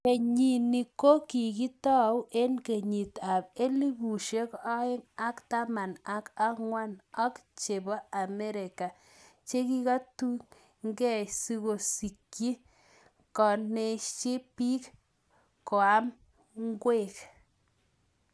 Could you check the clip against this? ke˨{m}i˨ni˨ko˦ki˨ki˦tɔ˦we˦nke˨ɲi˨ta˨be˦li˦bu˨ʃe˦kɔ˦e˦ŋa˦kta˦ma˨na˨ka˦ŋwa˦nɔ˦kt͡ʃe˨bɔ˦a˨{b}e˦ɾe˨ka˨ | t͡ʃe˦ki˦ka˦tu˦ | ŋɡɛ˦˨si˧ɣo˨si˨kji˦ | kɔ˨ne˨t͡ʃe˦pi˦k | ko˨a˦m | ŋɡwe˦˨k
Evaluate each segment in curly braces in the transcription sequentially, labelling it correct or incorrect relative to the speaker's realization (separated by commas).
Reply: incorrect, incorrect